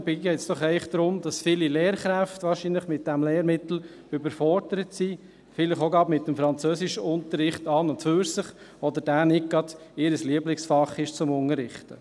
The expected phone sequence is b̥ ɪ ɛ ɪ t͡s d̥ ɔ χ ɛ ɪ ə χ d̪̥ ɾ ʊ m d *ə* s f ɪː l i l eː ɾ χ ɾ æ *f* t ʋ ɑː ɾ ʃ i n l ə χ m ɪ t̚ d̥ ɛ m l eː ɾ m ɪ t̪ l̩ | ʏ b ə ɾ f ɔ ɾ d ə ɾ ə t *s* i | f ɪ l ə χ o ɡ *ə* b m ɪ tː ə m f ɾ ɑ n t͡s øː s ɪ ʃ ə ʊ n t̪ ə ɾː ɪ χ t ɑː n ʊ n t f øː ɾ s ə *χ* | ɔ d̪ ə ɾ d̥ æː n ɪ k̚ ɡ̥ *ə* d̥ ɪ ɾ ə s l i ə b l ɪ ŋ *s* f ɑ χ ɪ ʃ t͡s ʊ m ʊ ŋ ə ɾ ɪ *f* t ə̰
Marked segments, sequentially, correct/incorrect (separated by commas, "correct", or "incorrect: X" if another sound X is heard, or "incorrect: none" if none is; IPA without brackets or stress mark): incorrect: ɑ, correct, correct, incorrect: ɑ, correct, incorrect: ɑ, correct, incorrect: χ